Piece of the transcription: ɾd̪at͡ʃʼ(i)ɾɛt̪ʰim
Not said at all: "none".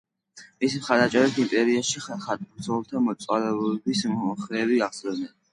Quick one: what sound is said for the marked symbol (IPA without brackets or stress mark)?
ɛ